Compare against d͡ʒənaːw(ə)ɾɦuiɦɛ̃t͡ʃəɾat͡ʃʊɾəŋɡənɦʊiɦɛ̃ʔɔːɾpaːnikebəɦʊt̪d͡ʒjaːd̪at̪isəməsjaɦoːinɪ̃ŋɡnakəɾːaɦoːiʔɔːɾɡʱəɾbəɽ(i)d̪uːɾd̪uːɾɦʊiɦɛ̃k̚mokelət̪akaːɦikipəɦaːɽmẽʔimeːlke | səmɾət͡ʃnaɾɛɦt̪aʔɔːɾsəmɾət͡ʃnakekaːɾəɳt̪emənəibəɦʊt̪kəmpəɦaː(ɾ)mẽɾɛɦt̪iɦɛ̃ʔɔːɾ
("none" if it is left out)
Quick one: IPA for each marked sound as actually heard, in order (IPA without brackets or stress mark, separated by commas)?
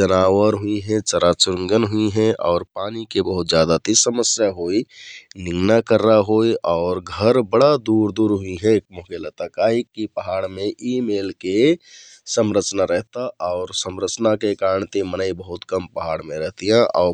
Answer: ə, a, ɽ